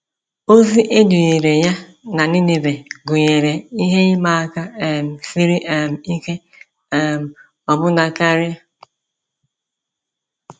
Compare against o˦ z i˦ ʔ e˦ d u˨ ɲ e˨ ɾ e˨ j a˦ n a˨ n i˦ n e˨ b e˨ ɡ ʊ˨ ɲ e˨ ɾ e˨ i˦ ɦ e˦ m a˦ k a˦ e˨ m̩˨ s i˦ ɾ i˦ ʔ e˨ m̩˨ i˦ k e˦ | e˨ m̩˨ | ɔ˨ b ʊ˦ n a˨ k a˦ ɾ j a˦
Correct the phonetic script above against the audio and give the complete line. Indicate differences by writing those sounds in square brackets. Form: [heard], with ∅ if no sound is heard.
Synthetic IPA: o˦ z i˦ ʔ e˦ d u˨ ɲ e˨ ɾ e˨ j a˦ n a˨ n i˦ n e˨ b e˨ ɡ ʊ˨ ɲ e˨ ɾ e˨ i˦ ɦ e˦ m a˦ k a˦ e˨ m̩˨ s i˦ ɾ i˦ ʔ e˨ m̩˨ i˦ k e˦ | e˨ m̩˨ | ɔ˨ b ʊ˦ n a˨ k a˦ ɾ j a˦